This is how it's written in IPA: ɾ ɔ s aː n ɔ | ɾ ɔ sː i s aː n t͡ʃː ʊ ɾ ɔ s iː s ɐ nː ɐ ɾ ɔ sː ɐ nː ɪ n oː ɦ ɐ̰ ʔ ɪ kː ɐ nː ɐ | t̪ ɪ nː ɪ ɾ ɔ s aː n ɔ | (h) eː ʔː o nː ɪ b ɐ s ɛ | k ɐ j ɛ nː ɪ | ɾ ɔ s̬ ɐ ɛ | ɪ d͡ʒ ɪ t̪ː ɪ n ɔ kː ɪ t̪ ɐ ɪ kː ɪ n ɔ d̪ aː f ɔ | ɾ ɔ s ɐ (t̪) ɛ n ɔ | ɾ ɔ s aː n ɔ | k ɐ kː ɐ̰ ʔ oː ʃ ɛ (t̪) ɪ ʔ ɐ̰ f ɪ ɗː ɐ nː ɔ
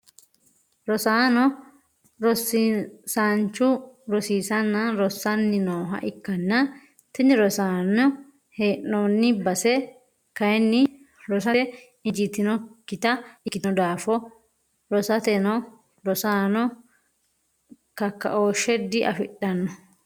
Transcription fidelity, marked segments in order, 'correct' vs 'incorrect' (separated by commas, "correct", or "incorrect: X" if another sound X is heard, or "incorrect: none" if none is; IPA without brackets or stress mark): correct, correct, incorrect: d̪